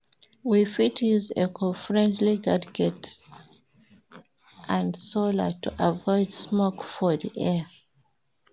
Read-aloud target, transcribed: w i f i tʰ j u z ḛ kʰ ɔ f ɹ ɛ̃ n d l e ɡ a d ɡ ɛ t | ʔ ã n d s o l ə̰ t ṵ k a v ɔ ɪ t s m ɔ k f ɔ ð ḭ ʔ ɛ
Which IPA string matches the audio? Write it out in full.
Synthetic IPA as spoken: w i f i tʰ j u z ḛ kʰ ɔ f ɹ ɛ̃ n d l i ɡ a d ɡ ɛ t | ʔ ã n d s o l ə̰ t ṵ ʔ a v ɔ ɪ d s m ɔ k f ɔ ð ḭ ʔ ɛ